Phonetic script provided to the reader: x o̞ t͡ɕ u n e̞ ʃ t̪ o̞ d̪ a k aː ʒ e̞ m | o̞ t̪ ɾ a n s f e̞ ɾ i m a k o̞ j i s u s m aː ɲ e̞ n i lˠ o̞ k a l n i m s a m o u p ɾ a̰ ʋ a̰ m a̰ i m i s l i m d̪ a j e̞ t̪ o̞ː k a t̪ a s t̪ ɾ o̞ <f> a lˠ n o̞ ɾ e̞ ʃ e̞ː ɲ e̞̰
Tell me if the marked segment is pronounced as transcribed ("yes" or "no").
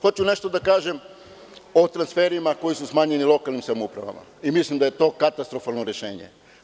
yes